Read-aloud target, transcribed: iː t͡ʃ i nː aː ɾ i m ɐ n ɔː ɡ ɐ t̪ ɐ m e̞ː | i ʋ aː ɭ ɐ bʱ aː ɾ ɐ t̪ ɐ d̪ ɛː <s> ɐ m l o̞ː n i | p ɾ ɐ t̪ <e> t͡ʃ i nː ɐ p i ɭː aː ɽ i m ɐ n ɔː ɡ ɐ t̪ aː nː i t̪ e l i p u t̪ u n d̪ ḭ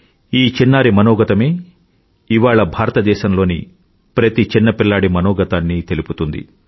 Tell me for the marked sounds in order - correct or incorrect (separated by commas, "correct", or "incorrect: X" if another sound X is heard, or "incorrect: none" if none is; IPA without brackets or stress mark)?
incorrect: ʃ, incorrect: i